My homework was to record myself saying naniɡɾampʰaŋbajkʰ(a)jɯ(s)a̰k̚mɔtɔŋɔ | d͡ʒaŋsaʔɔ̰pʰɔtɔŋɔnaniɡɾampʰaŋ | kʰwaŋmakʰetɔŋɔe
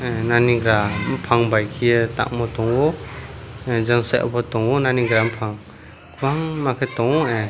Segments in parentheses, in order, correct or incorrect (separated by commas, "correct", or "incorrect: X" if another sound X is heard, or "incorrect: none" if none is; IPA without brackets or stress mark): incorrect: i, incorrect: t